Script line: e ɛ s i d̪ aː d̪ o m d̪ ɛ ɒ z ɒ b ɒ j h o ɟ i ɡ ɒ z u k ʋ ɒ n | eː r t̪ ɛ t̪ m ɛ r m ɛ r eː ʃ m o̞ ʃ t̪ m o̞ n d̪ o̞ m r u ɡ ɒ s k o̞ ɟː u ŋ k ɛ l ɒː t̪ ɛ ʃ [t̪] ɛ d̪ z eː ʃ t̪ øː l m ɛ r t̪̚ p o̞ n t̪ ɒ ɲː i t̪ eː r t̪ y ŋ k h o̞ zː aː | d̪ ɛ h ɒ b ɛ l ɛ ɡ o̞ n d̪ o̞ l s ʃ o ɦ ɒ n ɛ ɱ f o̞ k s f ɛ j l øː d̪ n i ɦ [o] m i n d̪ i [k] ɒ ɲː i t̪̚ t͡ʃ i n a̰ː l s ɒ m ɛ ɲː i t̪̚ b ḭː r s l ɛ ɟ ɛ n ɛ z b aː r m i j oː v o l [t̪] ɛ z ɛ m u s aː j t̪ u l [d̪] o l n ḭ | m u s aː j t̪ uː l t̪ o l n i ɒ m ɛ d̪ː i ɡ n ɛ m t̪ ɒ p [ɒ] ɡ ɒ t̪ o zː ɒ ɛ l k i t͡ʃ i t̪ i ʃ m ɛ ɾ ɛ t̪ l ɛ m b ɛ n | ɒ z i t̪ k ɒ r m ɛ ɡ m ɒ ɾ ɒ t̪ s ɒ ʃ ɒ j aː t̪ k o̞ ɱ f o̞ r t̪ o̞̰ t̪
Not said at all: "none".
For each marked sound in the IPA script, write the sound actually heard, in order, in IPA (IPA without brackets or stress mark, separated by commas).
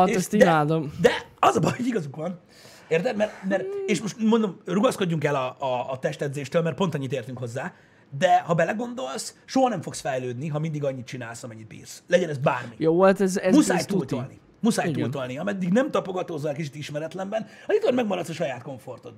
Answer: t̪, ɒ, ɡ, t̪, t̪, o